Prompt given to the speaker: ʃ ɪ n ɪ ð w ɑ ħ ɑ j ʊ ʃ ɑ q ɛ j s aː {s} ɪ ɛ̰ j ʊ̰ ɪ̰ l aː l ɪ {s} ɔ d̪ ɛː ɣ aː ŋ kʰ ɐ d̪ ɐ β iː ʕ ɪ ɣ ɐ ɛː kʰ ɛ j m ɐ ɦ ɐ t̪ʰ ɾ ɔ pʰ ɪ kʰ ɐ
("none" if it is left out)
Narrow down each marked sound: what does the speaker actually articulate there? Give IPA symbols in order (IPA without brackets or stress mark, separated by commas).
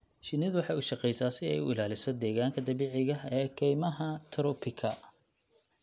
s, s